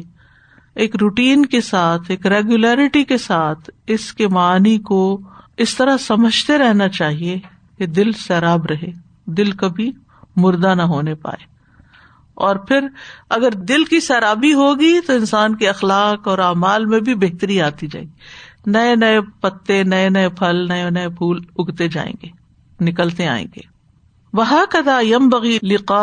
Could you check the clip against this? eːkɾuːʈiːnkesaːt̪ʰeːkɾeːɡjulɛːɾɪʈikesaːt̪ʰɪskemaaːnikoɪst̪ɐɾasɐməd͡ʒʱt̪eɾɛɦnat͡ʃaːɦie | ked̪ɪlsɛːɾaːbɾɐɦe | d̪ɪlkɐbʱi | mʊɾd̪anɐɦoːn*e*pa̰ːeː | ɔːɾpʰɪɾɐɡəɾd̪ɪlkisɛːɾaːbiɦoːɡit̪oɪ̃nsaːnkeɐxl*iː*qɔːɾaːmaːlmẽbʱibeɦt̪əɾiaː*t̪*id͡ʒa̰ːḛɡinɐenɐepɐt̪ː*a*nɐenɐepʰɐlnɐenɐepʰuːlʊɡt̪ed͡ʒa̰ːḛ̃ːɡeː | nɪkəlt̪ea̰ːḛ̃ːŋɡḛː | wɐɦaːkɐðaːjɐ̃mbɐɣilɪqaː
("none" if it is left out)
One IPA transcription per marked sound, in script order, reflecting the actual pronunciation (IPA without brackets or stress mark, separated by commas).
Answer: e, aː, t̪, e